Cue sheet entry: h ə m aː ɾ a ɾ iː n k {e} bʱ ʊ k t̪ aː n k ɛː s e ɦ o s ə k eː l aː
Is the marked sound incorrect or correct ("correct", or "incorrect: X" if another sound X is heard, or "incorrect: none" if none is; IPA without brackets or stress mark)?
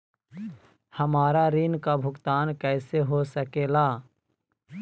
incorrect: a